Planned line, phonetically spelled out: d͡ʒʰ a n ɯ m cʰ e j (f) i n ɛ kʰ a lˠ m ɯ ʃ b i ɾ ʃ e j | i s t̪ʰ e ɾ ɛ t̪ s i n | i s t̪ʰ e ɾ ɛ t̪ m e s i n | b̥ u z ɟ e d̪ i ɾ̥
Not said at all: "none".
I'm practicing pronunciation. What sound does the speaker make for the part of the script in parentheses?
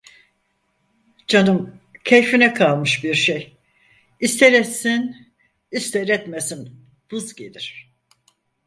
f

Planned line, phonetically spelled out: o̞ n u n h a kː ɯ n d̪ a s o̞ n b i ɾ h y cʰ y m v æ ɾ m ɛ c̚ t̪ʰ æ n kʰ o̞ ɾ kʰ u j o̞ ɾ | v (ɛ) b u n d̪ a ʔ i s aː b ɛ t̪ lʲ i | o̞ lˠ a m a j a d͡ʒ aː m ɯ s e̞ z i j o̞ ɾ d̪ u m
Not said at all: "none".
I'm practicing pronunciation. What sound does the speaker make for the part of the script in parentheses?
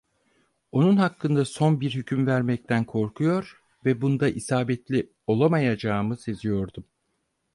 ɛ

